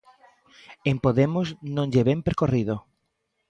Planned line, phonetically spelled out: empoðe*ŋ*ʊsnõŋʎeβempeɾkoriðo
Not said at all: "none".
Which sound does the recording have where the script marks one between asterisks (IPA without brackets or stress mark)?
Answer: m